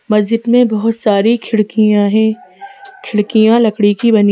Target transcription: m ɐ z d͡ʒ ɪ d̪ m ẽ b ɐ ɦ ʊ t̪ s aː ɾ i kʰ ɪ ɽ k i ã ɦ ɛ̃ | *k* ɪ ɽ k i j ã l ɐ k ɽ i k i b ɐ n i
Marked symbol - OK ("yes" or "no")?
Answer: no